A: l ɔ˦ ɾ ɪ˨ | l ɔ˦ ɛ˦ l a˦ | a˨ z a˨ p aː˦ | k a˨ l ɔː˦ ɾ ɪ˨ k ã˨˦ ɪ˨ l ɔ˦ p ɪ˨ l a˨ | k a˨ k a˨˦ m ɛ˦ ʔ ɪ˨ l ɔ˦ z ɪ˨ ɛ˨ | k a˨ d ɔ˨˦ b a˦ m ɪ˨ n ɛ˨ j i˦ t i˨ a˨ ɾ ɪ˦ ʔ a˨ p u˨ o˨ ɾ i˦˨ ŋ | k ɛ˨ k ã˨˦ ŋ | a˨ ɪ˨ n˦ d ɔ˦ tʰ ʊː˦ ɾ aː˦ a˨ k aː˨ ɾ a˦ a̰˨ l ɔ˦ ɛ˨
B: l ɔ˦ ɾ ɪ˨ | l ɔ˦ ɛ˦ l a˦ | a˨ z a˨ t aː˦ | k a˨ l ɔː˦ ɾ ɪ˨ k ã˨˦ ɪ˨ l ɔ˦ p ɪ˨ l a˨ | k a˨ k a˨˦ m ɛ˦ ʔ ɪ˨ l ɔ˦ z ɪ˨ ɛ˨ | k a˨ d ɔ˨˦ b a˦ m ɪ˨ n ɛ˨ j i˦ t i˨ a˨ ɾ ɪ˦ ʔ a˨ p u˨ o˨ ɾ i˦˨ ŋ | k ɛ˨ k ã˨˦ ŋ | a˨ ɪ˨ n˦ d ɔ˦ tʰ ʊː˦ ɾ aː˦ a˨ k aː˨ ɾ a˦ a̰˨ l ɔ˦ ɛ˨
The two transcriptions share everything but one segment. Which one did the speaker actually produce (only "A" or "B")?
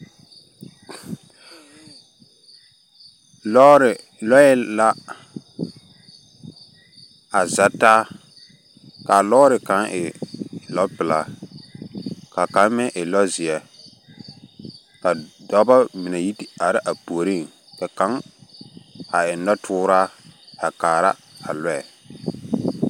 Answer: B